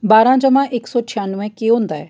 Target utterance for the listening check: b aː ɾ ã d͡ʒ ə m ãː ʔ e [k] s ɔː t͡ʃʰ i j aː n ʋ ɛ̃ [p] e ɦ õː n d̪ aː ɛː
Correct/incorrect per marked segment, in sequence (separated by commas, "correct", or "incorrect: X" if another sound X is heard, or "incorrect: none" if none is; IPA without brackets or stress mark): correct, incorrect: k